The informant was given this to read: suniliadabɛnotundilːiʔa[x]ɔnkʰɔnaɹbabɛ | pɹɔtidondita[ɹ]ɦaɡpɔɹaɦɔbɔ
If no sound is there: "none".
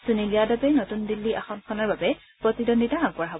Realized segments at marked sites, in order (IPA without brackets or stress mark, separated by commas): x, none